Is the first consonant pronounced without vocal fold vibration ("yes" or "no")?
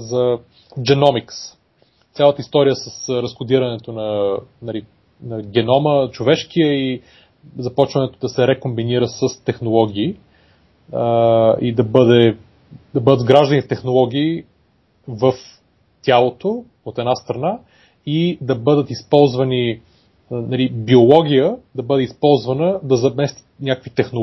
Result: no